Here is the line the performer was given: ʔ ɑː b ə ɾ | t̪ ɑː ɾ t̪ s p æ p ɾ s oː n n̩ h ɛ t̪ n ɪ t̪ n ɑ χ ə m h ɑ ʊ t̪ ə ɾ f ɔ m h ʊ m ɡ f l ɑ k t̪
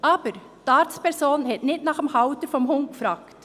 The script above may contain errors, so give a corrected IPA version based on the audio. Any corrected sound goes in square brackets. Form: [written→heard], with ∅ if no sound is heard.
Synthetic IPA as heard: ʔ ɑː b ə ɾ | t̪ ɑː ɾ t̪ s p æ [p→∅] ɾ s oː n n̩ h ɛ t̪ n ɪ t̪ n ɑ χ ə m h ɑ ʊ t̪ ə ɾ f ɔ m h ʊ [m→ŋ] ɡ f [l→ɾ] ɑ k t̪